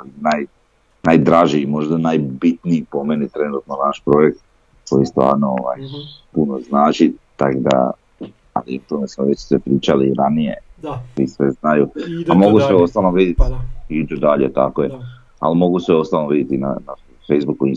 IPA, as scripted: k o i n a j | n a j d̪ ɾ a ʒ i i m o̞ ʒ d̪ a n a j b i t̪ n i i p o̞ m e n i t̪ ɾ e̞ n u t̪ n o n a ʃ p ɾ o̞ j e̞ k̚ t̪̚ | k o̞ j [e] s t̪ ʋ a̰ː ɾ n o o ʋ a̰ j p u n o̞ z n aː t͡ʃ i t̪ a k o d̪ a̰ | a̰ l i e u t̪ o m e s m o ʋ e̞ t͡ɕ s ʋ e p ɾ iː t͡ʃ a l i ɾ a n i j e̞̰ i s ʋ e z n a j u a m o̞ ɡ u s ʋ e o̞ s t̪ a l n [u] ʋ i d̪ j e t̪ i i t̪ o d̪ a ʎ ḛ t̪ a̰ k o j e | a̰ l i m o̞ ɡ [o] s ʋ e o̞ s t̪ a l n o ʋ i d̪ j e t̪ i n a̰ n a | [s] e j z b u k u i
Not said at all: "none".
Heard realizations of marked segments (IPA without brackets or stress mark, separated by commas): i, o, u, f